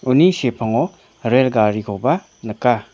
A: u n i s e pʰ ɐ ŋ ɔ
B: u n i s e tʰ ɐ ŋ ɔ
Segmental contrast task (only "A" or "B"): A